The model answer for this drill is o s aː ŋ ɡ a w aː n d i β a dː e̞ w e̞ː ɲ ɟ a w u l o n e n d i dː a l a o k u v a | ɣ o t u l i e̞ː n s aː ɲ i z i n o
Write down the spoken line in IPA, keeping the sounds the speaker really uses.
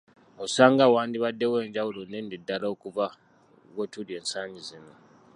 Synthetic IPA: o s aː ŋ ɡ a w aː n d i β a dː e̞ w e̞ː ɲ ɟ a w u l o n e n d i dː a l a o k u v a | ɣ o t u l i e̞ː n s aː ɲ i z i n o